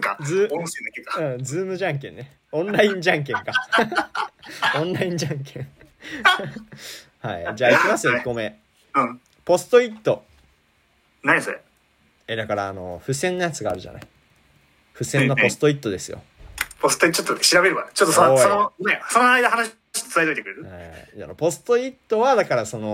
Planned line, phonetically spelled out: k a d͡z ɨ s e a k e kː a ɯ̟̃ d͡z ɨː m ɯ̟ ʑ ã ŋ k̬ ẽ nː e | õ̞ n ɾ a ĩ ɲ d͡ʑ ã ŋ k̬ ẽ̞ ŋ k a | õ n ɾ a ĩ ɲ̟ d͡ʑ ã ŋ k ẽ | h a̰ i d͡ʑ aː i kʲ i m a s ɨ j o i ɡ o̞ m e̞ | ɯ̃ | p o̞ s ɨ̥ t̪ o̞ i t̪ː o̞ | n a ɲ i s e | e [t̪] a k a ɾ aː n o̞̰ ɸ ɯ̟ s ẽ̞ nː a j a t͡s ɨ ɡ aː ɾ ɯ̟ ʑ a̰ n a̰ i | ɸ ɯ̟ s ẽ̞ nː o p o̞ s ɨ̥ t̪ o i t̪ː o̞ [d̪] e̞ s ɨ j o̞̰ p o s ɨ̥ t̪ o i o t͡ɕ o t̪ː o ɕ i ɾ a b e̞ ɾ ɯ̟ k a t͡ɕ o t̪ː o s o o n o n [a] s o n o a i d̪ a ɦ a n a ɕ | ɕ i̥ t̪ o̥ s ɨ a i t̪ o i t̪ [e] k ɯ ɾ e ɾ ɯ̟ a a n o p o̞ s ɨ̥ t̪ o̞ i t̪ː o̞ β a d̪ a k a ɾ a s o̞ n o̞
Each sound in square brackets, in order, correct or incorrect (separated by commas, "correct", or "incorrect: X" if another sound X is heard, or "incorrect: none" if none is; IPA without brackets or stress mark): incorrect: d̪, correct, incorrect: e, correct